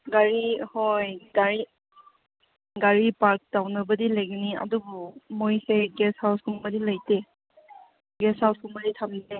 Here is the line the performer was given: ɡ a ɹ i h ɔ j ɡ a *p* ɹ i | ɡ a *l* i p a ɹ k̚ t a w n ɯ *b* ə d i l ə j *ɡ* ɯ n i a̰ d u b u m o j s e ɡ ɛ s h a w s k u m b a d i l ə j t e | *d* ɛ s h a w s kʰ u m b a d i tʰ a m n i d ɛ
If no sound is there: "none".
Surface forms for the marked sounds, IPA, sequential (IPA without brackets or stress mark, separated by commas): none, ɹ, b, ɡ, ɡ